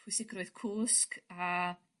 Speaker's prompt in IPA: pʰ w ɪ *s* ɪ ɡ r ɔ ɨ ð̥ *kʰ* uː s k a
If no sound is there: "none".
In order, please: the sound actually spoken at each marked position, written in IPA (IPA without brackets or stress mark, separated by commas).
s, kʰ